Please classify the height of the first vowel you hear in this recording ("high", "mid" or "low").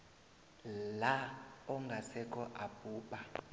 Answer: low